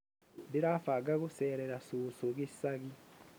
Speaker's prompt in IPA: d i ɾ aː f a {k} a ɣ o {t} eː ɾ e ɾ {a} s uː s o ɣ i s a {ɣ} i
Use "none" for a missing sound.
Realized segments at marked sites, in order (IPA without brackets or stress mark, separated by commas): ɡ, s, a, ɣ